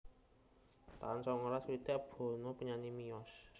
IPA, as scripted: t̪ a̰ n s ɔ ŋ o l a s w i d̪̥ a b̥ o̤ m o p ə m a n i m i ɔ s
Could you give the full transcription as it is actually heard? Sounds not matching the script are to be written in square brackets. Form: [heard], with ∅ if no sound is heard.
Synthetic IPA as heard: t̪ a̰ n s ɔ ŋ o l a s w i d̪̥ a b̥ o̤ [n] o p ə [ɲ] a n i m i ɔ s